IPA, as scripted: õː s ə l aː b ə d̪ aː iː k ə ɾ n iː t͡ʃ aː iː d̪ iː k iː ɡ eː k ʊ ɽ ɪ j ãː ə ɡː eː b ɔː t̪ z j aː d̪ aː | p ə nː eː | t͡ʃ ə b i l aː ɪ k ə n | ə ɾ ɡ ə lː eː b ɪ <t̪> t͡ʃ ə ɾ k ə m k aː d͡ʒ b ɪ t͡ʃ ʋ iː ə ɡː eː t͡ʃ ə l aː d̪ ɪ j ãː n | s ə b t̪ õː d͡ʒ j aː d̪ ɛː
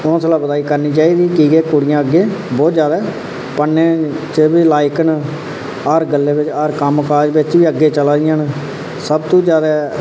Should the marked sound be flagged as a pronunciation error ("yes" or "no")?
yes